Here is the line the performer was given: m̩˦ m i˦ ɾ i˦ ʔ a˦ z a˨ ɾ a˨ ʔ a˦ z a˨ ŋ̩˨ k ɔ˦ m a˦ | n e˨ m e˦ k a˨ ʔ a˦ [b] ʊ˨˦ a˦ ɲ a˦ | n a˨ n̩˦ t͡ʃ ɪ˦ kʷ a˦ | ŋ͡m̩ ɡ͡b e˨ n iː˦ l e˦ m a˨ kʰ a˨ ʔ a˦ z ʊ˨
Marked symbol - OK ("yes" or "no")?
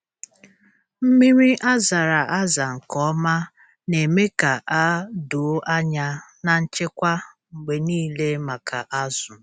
no